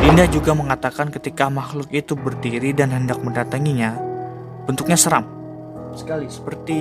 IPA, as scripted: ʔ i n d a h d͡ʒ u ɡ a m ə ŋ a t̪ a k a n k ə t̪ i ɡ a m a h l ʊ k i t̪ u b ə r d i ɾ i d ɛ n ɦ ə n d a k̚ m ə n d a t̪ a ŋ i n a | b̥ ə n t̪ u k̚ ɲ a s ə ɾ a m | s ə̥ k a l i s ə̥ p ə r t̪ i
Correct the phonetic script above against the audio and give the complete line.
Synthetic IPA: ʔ i n d a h d͡ʒ u ɡ a m ə ŋ a t̪ a k a n k ə t̪ i k a m a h l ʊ k i t̪ u b ə r d i ɾ i d a n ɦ ə n d a k̚ m ə n d a t̪ a ŋ i ɲ a | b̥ ə n t̪ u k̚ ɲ a s ə ɾ a m | s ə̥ k a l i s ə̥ p ə r t̪ i